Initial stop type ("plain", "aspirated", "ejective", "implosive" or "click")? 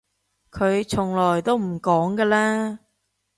aspirated